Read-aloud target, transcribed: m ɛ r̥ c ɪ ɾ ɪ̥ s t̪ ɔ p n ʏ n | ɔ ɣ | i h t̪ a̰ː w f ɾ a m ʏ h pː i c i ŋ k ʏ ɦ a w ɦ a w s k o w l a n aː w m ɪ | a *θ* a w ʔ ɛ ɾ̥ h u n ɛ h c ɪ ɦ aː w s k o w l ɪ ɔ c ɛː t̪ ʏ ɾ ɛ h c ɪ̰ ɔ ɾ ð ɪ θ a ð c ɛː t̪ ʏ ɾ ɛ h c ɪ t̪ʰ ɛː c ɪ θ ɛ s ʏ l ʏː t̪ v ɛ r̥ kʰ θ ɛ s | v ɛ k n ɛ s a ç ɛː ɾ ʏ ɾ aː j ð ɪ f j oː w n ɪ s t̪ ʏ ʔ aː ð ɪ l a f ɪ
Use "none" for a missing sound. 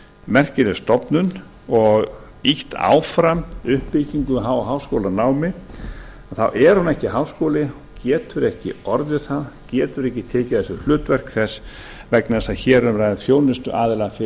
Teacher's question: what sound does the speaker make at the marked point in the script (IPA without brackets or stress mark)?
θ